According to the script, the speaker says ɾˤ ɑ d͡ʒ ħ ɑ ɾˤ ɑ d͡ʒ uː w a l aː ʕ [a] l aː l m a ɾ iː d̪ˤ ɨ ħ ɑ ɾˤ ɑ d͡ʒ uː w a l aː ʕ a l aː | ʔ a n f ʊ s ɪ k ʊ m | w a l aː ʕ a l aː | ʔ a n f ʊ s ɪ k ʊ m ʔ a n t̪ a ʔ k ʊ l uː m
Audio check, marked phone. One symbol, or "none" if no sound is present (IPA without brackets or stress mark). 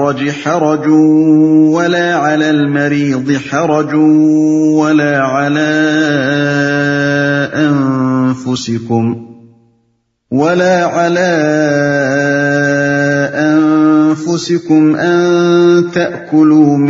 a